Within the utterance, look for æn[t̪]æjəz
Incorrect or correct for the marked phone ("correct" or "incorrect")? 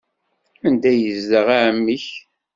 incorrect